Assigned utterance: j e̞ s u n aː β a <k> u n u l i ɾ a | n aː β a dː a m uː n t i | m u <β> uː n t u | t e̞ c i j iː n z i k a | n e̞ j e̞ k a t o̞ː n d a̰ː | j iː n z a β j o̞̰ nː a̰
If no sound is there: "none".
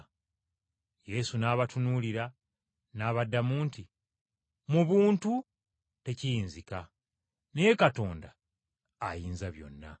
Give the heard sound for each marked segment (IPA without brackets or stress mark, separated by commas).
t, β